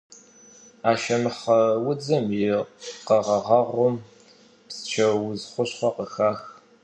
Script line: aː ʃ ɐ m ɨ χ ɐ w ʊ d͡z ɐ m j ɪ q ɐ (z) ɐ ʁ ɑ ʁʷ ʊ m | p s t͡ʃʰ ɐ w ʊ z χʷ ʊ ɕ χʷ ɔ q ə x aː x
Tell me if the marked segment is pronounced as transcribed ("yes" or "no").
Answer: no